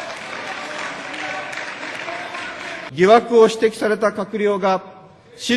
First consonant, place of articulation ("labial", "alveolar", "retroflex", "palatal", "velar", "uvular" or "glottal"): velar